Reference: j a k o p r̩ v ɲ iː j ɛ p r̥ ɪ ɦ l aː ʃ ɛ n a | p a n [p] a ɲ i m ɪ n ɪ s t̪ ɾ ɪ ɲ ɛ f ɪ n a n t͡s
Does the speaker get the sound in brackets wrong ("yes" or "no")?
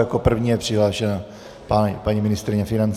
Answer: no